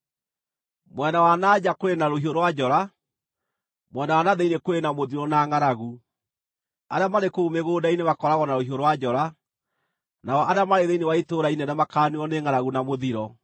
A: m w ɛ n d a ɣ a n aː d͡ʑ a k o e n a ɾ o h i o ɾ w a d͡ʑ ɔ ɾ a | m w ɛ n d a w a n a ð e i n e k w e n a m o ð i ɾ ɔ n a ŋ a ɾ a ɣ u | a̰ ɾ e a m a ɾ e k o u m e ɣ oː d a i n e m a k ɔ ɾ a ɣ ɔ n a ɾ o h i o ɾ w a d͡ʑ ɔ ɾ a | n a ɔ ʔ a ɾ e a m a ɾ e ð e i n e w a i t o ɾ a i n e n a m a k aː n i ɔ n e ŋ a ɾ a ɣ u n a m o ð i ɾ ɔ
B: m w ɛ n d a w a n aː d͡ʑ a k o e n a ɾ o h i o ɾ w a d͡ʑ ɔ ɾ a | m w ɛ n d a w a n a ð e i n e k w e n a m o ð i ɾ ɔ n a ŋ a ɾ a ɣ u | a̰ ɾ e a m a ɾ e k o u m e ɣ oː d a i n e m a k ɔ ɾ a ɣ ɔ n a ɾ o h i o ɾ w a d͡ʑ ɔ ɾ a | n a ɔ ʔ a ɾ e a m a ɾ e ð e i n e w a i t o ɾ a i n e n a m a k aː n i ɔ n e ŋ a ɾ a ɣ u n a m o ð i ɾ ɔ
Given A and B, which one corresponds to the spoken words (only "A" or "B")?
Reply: B